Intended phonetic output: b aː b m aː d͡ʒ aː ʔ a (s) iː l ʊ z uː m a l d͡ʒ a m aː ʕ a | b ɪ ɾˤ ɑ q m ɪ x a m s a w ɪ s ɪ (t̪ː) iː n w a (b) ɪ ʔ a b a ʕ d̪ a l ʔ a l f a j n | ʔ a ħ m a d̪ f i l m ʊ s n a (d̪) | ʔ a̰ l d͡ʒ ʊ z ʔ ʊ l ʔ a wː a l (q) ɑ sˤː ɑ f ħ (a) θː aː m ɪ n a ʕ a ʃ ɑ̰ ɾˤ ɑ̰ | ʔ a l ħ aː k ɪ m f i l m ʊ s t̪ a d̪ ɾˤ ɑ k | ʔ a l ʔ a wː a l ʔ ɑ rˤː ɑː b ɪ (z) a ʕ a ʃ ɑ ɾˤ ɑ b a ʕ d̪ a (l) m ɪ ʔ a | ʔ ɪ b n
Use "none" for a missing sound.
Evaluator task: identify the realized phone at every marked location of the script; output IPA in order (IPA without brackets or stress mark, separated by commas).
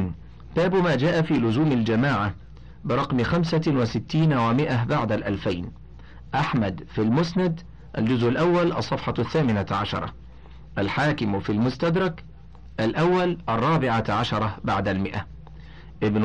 f, t̪ː, m, d̪, ʔ, ɑ, ʕ, l